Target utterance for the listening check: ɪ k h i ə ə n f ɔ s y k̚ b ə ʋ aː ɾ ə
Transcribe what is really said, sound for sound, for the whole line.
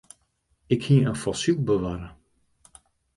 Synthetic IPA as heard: ɪ k h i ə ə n f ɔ s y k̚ b ə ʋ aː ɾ ə